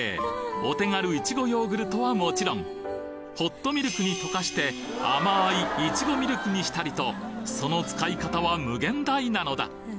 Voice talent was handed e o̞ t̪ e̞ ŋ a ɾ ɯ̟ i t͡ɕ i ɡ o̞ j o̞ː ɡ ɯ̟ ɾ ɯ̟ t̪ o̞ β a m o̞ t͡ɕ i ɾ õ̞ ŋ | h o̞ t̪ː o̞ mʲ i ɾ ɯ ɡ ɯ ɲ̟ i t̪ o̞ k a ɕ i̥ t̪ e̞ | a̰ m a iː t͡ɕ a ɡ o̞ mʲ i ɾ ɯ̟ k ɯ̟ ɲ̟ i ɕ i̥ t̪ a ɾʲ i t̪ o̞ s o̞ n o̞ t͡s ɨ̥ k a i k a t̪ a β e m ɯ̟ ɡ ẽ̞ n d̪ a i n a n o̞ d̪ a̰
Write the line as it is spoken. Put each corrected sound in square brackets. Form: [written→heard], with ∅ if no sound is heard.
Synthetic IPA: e o̞ t̪ e̞ ŋ a ɾ ɯ̟ i t͡ɕ i ɡ o̞ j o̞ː ɡ ɯ̟ ɾ ɯ̟ t̪ o̞ β a m o̞ t͡ɕ i ɾ õ̞ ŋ | h o̞ t̪ː o̞ mʲ i ɾ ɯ [ɡ→k] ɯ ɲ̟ i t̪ o̞ k a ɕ i̥ t̪ e̞ | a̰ m a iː t͡ɕ [a→i] ɡ o̞ mʲ i ɾ ɯ̟ k ɯ̟ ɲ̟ i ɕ i̥ t̪ a ɾʲ i t̪ o̞ s o̞ n o̞ t͡s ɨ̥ k a i k a t̪ a β [e→a] m ɯ̟ ɡ ẽ̞ n d̪ a i n a n o̞ d̪ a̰